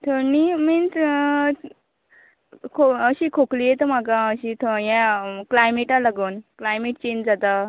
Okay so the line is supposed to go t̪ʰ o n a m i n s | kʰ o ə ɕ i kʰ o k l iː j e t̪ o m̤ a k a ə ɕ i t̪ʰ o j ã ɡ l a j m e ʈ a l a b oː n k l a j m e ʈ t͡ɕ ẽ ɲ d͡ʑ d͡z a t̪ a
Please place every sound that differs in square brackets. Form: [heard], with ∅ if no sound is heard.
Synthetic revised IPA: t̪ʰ o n [i] m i n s | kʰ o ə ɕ i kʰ o k l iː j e t̪ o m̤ a k a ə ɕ i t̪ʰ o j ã [k] l a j m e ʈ a l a [ɡ] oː n k l a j m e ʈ t͡ɕ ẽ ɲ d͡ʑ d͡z a t̪ a